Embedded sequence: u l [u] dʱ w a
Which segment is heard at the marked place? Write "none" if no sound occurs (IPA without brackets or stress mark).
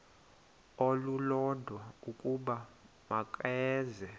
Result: ɔ